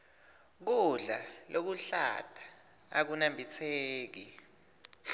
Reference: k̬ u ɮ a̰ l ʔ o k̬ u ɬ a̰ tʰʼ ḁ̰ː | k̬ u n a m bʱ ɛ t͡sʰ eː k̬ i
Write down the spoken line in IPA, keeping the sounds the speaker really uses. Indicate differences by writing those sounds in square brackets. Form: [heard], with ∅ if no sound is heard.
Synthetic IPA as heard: k̬ u ɮ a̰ l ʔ o k̬ u ɬ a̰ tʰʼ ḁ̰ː | k̬ u n a m bʱ [i] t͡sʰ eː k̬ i